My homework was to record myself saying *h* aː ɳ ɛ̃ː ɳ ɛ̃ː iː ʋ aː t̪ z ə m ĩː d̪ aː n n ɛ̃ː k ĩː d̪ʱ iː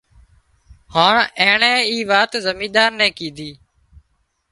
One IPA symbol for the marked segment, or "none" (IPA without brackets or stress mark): h